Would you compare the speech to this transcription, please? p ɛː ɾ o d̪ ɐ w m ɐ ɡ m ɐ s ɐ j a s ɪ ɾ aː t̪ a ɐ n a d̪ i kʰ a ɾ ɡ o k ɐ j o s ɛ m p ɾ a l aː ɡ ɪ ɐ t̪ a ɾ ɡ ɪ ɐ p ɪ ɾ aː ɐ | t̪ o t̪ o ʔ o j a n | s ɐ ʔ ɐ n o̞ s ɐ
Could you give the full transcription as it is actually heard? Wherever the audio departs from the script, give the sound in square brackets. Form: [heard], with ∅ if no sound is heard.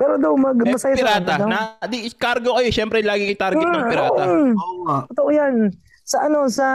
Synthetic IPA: p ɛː ɾ o d̪ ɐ w m ɐ ɡ m ɐ s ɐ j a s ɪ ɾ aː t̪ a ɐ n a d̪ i [k] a ɾ ɡ o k ɐ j o [ʃ] ɛ m p ɾ [ɛ] l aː ɡ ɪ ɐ t̪ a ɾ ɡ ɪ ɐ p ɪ ɾ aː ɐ | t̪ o t̪ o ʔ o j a n | s ɐ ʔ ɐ n o̞ s ɐ